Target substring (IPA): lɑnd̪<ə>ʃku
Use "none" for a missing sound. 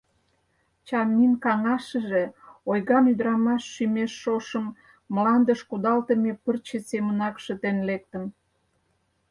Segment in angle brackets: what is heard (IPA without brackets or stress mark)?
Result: ə